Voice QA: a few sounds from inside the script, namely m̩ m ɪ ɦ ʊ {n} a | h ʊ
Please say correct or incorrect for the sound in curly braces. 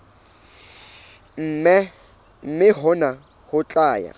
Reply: correct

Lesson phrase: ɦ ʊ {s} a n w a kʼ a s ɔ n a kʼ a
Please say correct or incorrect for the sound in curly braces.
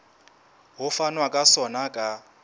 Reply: incorrect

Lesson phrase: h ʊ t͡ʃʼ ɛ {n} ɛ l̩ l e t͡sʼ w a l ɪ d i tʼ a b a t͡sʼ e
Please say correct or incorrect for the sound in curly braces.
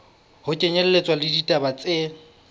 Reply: incorrect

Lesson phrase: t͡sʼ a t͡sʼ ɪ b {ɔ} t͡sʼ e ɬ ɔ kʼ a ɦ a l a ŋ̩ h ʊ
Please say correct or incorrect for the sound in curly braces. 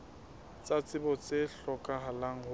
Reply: correct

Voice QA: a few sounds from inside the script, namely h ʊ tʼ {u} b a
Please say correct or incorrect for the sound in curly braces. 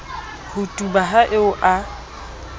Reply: correct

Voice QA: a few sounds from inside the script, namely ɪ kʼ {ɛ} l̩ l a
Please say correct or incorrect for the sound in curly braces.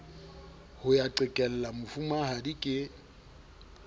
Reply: correct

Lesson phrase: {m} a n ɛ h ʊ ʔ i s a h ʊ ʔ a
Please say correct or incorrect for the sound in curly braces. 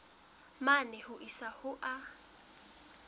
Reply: correct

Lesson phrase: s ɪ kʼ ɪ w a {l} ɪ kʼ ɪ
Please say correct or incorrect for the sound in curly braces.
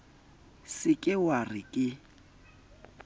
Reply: incorrect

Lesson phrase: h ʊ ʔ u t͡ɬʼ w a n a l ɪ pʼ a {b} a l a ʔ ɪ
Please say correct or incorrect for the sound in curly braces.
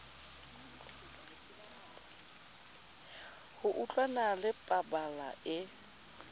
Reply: correct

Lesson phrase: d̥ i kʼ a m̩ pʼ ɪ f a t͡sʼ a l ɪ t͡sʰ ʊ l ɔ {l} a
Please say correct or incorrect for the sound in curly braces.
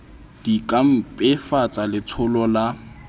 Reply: correct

